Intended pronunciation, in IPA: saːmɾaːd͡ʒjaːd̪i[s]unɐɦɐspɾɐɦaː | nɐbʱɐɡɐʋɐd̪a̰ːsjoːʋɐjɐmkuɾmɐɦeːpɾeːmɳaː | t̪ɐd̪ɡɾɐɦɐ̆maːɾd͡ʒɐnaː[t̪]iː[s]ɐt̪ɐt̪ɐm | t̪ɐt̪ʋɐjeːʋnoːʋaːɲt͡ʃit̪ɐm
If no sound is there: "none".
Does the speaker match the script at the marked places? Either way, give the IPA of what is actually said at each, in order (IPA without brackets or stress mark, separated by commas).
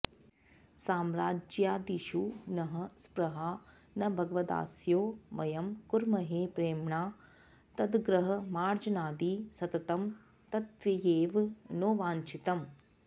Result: ʃ, d̪, s